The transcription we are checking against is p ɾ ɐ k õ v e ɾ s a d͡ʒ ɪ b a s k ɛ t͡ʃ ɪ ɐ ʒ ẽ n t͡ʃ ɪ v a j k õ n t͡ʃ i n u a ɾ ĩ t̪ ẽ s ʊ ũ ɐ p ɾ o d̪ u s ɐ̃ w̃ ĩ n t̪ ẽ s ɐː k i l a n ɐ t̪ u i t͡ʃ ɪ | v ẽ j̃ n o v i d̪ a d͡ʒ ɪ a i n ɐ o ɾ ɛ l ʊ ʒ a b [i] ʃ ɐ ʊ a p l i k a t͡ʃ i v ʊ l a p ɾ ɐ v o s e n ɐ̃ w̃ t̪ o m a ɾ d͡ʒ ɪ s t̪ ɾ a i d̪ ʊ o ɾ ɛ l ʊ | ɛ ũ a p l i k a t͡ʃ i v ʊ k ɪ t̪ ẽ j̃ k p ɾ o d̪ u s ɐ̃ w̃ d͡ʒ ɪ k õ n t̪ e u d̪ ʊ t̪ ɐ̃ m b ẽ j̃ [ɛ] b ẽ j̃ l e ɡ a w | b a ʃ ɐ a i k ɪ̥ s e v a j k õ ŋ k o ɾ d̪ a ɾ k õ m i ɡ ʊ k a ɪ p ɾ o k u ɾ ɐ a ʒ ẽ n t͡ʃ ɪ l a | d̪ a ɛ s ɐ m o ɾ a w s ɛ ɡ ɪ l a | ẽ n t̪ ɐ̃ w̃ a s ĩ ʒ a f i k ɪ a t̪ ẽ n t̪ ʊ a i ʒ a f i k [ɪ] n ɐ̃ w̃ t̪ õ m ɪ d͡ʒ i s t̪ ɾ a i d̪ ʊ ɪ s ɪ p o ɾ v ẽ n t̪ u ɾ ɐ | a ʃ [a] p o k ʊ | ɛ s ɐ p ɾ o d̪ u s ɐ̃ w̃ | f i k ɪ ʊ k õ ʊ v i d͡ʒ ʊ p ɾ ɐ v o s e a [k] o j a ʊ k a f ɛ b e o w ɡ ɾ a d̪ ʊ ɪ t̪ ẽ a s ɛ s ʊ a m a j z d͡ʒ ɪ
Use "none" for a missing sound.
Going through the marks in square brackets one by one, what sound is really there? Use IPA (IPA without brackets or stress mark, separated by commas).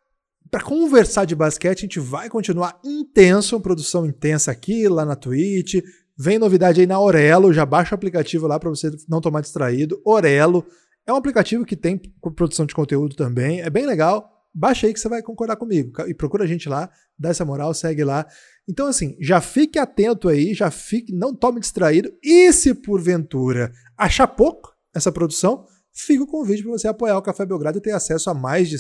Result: a, ɛ, ɪ, a, p